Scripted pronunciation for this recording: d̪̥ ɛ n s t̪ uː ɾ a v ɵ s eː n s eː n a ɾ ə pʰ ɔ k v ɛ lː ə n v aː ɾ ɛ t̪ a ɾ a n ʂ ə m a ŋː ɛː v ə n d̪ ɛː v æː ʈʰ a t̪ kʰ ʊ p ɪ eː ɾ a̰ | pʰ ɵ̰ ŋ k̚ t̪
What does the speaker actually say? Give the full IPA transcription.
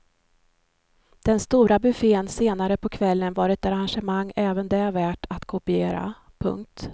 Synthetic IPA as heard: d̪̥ ɛ n s t̪ uː ɾ a b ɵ f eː n s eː n a ɾ ə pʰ ɔ kʰ v ɛ lː ə n v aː ɾ ɛ t̪ a ɾ a n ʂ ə m a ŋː ɛː v ə n d̪ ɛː v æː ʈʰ a t̪ kʰ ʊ p ɪ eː ɾ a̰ | pʰ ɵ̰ ŋ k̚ t̪